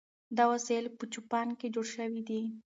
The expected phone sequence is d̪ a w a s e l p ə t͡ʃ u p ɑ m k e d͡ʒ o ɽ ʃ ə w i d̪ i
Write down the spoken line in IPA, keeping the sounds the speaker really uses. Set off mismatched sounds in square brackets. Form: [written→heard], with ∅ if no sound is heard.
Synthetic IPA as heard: d̪ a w a s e l p ə t͡ʃ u p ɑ [m→n] k e d͡ʒ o ɽ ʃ ə w i d̪ i